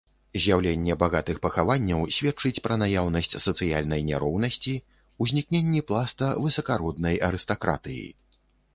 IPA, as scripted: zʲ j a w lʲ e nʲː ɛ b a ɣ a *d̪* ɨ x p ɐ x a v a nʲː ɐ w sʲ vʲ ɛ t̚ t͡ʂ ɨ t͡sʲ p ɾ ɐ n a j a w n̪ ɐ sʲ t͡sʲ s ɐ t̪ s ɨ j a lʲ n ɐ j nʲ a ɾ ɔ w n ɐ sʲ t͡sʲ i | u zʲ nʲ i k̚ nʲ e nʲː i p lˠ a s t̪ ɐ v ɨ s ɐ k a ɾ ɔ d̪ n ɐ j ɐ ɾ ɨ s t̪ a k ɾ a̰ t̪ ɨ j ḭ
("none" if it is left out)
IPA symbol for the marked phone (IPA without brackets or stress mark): t̪